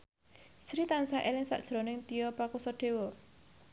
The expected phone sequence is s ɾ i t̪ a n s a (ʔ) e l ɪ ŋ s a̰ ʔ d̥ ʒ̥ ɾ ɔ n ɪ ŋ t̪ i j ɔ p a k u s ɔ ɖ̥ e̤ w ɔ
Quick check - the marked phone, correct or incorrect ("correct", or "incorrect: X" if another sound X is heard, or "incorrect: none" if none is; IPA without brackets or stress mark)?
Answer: correct